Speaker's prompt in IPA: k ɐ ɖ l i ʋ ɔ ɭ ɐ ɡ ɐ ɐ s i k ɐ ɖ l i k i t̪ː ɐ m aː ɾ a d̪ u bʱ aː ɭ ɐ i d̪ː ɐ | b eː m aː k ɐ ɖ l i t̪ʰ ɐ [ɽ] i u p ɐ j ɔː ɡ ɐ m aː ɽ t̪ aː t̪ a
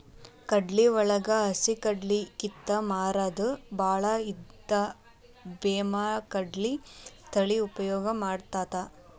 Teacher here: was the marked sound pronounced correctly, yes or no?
no